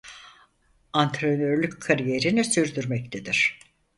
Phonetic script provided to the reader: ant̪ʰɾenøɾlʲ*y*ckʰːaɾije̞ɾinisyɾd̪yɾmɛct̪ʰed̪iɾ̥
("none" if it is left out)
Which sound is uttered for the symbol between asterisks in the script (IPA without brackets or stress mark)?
y